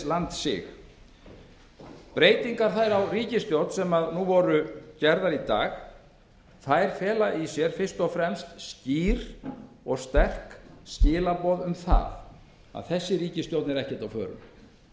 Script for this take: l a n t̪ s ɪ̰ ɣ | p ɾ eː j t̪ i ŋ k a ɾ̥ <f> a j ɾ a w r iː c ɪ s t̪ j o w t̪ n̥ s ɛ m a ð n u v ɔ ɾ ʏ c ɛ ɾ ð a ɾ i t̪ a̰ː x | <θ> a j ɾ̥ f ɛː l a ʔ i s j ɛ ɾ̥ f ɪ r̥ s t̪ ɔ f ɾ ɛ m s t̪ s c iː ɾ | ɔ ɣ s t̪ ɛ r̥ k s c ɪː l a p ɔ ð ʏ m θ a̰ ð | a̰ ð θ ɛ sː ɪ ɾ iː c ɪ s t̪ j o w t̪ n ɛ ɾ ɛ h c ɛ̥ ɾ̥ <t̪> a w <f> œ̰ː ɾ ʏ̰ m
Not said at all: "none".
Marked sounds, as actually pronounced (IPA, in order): θ, θ, t̪, f

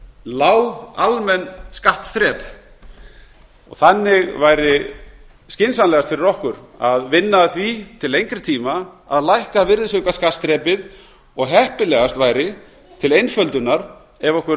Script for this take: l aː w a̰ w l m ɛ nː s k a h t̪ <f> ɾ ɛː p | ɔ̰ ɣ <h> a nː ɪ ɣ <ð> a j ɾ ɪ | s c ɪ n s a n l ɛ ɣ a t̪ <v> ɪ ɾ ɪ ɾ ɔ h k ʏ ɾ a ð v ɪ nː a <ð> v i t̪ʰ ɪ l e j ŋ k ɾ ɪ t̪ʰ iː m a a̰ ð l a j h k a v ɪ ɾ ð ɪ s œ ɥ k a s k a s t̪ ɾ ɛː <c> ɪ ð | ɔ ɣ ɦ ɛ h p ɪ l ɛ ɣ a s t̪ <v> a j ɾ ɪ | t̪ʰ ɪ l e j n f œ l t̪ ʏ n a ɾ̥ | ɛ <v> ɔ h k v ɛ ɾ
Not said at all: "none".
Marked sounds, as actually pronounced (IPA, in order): θ, θ, v, f, θ, p, v, v

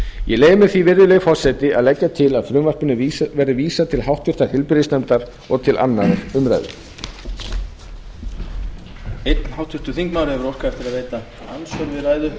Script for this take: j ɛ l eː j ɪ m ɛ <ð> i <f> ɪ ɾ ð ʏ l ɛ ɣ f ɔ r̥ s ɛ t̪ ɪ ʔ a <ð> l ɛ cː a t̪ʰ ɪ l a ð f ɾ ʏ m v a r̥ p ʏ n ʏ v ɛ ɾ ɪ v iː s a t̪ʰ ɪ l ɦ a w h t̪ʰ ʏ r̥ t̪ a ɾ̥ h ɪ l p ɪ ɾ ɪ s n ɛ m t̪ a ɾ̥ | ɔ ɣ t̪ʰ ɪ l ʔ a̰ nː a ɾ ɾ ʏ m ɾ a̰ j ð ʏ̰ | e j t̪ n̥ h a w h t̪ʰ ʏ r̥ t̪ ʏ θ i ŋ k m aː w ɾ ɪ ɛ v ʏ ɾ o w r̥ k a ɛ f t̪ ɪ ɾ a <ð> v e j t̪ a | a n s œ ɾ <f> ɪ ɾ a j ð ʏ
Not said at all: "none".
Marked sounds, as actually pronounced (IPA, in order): θ, v, ð, ð, v

